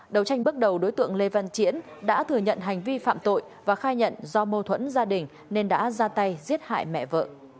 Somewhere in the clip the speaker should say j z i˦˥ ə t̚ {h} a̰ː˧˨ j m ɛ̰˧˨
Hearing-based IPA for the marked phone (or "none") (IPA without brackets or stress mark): h